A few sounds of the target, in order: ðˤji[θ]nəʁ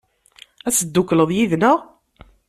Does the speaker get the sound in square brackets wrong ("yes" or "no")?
yes